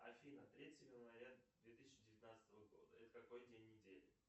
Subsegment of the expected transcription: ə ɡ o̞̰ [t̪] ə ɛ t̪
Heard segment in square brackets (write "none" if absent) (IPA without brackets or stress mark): d̪